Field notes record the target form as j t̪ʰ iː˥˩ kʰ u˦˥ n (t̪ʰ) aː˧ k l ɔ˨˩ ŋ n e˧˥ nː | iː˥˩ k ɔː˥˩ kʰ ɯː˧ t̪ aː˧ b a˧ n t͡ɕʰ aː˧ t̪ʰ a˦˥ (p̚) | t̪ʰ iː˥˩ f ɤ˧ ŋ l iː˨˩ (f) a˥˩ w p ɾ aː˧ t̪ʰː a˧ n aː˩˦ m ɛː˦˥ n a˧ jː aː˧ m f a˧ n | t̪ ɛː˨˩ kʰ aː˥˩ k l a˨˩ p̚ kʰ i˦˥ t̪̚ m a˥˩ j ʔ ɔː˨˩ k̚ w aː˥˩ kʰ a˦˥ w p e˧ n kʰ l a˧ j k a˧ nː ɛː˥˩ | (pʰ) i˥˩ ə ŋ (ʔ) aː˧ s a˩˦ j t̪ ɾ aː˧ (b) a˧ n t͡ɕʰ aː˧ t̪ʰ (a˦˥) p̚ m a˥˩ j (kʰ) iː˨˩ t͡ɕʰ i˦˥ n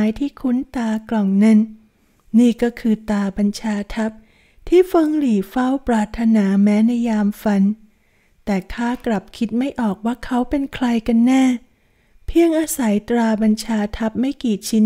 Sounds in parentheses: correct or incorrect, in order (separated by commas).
incorrect, correct, correct, correct, correct, correct, correct, incorrect